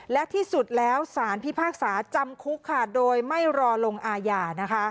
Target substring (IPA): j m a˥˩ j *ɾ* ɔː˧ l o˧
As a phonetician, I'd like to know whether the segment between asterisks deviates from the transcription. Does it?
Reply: no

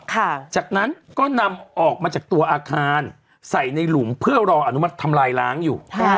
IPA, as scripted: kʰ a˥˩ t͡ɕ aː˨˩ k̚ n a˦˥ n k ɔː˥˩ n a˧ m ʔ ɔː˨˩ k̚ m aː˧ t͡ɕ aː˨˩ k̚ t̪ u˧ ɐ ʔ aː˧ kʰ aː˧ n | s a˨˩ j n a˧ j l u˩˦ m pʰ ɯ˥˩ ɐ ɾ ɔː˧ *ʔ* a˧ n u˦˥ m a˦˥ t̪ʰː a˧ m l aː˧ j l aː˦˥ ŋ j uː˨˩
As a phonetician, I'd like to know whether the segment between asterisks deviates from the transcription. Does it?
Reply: no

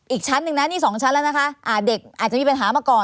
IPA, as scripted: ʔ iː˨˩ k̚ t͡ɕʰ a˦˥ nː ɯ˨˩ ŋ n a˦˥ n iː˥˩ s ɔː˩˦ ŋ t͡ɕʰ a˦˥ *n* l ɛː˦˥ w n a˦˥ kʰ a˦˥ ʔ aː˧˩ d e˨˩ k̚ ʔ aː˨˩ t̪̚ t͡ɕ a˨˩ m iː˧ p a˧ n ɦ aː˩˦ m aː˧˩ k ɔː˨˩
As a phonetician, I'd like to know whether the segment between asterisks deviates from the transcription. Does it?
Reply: no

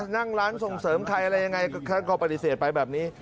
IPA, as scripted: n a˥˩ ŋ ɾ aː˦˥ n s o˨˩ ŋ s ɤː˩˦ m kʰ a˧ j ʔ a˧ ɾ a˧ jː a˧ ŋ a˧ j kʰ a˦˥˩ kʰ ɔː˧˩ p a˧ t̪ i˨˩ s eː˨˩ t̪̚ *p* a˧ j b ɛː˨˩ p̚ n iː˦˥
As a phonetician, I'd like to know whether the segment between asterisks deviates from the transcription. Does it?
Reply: no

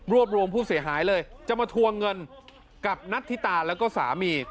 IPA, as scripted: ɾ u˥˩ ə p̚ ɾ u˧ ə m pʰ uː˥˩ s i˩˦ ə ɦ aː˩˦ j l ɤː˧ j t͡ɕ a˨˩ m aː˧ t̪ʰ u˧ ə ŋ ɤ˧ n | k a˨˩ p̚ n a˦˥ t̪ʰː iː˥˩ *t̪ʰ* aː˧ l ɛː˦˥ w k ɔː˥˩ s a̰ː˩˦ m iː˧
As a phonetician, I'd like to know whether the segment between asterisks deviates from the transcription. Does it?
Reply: yes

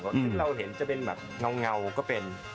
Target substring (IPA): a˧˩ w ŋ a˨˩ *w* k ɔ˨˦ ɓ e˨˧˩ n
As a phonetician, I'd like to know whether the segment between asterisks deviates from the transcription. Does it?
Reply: no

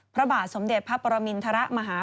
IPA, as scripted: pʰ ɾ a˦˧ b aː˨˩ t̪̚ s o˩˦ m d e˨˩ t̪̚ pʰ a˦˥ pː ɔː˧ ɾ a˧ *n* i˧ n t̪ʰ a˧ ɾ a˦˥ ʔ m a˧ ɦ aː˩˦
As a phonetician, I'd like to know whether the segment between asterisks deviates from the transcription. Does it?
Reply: yes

